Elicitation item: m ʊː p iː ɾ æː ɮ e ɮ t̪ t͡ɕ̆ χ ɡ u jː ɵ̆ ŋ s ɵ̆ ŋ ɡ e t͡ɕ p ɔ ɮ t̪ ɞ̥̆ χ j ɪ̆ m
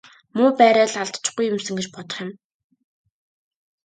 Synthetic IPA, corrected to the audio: m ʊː p æː ɾ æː ɮ a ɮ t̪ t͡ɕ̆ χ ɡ u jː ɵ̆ m s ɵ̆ ŋ ɡ e t͡ɕ p ɔ t̪ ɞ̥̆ χ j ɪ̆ m